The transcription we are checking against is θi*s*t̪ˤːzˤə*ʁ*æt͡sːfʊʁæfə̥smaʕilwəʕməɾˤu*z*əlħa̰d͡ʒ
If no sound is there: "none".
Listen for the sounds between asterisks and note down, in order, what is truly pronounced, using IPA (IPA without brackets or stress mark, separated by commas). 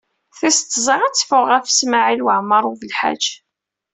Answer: s, ʁ, v